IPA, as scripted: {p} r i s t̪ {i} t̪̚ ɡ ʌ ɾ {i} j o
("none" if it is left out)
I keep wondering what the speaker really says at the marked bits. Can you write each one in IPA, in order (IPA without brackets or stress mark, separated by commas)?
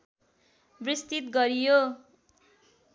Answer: b, i, i